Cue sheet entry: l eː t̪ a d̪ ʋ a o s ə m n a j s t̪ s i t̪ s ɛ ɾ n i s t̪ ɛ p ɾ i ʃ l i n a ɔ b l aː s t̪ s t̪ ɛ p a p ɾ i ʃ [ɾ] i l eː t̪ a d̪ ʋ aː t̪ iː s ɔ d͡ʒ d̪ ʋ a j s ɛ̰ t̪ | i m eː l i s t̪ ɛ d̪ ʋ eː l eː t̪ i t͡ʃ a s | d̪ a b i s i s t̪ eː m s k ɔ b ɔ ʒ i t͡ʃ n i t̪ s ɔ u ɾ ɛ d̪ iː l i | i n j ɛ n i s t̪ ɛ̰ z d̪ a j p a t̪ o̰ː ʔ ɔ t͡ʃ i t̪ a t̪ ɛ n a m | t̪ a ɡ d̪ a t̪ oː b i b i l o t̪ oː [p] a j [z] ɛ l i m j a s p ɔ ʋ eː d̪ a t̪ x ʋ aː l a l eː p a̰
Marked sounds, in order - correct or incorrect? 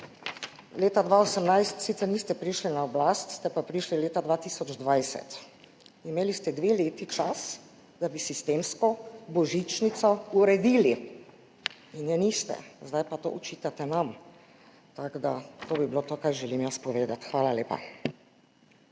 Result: incorrect: l, incorrect: k, incorrect: ʒ

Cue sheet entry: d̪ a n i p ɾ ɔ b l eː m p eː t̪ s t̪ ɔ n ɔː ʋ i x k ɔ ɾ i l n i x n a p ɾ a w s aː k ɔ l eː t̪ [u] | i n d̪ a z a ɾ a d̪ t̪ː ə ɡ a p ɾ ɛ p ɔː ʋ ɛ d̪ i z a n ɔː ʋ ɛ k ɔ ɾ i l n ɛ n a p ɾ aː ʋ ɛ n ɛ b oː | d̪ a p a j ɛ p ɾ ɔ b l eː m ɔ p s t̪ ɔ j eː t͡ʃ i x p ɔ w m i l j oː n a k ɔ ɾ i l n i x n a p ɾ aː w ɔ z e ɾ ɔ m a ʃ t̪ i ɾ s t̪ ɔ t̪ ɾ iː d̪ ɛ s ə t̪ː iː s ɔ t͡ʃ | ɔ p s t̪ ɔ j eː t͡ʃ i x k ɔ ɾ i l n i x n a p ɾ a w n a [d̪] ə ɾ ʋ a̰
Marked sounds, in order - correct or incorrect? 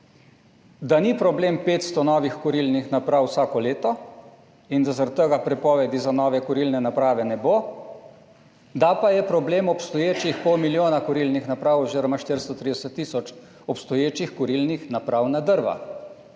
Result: incorrect: ɔ, correct

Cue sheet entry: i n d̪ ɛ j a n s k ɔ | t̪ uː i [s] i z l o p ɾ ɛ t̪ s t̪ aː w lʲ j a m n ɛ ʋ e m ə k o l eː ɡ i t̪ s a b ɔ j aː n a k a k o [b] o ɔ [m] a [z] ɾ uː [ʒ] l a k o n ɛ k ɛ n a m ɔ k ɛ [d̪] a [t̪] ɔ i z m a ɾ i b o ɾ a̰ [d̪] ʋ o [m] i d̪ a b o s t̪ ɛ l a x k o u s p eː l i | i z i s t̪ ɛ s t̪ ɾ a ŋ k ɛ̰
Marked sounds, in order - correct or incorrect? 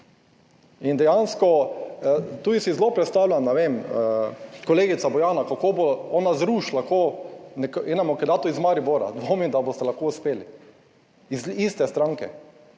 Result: correct, correct, incorrect: n, correct, incorrect: ʃ, correct, correct, correct, correct

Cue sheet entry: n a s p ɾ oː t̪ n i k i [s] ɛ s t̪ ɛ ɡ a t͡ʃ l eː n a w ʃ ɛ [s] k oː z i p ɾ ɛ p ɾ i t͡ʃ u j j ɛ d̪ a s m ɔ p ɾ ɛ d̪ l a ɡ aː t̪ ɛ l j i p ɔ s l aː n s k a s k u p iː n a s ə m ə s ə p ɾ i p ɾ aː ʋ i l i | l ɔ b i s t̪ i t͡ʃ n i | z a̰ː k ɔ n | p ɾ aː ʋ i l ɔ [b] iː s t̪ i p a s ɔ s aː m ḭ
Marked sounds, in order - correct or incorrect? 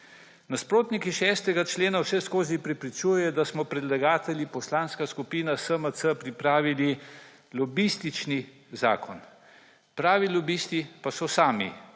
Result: incorrect: ʃ, correct, correct

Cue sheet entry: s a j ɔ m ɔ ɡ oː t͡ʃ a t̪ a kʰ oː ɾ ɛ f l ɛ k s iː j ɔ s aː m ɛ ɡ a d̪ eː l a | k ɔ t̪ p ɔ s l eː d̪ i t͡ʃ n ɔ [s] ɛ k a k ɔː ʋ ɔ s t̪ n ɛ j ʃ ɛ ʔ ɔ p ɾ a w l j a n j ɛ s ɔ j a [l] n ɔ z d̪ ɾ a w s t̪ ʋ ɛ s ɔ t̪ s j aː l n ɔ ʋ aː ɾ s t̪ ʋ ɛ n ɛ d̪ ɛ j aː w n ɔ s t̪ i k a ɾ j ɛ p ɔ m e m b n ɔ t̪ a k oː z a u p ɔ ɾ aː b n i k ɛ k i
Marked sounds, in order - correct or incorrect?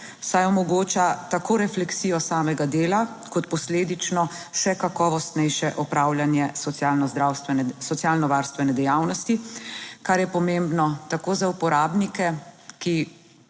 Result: incorrect: ʃ, correct

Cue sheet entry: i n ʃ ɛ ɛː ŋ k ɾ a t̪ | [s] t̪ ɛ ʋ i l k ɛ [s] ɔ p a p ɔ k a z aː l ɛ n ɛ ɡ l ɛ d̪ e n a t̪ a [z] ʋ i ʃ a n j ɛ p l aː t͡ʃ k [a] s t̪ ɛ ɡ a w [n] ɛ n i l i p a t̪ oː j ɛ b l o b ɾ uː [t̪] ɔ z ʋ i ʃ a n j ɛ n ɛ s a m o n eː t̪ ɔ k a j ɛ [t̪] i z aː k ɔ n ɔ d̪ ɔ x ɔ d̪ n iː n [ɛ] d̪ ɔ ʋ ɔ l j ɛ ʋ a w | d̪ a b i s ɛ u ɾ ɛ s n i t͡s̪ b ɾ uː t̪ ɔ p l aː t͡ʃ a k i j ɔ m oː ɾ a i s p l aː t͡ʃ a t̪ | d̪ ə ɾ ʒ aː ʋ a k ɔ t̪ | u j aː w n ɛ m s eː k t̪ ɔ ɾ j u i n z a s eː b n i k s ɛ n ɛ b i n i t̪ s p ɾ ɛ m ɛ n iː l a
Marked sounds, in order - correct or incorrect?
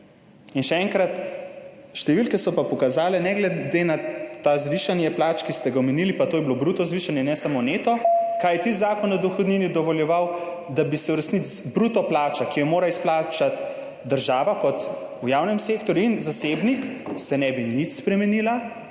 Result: incorrect: ʃ, correct, correct, incorrect: i, incorrect: m, correct, correct, incorrect: i

